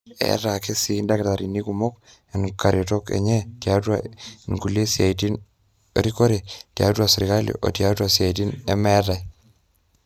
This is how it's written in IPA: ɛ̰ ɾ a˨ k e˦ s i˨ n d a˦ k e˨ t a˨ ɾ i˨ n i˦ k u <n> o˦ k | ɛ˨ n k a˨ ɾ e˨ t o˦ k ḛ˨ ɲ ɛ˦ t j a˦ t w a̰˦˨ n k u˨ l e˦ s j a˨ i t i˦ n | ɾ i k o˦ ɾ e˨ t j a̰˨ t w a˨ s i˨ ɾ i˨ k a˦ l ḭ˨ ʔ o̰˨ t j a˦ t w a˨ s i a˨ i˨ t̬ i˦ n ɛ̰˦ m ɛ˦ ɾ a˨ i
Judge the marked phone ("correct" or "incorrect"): incorrect